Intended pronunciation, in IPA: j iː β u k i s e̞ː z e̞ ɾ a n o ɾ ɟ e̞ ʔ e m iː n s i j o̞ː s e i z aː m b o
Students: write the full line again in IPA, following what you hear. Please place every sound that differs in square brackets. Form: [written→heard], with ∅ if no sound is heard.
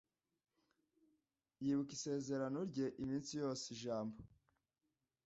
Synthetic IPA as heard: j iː β u k i s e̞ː z e̞ ɾ a n o ɾ ɟ e̞ ʔ [e→i] m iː n s i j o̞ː s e i [z→ʒ] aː m b o